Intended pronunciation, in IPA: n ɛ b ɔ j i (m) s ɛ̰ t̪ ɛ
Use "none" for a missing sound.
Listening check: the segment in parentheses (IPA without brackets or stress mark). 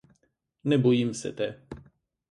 m